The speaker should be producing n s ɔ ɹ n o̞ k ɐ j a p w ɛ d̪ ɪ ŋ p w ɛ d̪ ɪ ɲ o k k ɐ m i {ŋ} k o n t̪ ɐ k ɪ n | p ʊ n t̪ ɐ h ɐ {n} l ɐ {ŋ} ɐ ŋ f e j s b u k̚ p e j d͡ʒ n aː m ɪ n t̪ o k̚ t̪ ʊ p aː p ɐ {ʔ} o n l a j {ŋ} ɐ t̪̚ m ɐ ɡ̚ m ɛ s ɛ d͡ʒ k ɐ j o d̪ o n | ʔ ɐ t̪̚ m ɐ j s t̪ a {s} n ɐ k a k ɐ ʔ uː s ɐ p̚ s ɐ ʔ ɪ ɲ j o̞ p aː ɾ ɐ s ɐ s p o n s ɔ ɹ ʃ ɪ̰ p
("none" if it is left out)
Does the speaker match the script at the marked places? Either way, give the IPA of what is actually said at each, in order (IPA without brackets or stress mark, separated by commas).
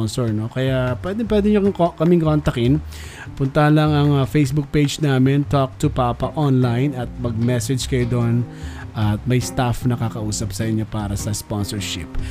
ŋ, n, ŋ, ʔ, n, f